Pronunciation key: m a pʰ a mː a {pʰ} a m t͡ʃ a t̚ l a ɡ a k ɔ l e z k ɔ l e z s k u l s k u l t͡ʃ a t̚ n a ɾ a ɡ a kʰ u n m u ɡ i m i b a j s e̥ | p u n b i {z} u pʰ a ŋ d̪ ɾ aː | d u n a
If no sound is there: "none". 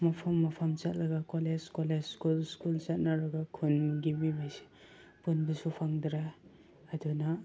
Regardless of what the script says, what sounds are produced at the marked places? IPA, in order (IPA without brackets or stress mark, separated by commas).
pʰ, s